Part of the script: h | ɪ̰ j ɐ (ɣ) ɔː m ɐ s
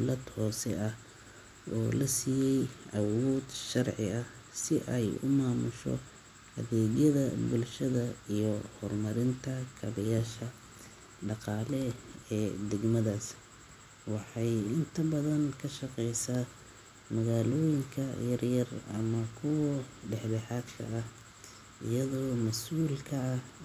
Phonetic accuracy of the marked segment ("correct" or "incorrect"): incorrect